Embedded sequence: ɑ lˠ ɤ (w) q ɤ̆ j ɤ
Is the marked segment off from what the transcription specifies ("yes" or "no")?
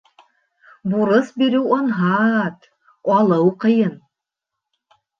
no